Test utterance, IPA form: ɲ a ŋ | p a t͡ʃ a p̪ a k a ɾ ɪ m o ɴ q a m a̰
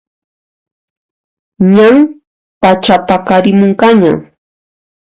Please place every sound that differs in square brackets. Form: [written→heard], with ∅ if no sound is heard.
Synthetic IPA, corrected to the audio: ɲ a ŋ | p a t͡ʃ a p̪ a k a ɾ ɪ m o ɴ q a [m→ɲ] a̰